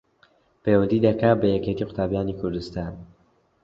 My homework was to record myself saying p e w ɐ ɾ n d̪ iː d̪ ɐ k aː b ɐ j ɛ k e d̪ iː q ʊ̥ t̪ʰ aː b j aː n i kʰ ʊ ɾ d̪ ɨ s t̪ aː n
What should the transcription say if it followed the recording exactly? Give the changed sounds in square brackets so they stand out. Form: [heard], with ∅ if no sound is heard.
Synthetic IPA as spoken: p e w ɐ [∅] n d̪ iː d̪ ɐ k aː b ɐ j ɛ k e [t̪] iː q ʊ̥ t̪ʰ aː b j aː n i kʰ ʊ ɾ d̪ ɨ s t̪ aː n